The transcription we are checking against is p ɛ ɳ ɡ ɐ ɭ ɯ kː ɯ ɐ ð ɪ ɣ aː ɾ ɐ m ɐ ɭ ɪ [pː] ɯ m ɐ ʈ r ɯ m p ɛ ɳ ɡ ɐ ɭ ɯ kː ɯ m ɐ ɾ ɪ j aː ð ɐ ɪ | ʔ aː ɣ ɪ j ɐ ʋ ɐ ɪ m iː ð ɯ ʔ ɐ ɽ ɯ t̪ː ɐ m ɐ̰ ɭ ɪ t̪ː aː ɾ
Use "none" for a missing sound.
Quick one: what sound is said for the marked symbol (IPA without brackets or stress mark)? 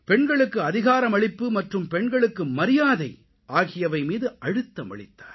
pː